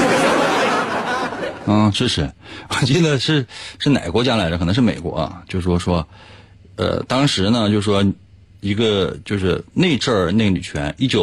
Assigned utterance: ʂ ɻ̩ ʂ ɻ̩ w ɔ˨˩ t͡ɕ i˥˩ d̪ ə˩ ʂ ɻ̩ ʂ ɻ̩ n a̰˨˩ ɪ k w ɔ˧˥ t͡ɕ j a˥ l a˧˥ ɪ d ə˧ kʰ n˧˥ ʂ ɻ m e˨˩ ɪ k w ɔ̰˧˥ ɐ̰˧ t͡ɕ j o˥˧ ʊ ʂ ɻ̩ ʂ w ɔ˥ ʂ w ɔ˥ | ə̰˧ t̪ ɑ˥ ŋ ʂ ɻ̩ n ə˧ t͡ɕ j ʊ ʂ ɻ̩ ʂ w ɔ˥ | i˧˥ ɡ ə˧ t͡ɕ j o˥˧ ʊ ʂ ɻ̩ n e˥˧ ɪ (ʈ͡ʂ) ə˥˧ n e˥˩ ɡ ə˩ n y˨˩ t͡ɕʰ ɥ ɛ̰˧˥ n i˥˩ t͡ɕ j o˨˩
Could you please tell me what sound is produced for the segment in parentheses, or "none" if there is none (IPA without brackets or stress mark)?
ʈ͡ʂ